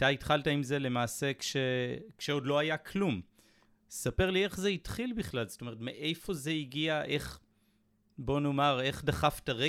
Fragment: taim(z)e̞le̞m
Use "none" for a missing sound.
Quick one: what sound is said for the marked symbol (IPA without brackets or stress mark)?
z